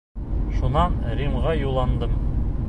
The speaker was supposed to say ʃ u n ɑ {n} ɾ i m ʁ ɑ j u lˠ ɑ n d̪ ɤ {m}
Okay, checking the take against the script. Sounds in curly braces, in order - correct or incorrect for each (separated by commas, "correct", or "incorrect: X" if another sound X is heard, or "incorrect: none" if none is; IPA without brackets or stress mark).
correct, correct